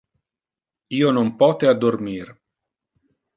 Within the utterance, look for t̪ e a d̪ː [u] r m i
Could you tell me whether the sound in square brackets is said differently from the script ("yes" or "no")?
yes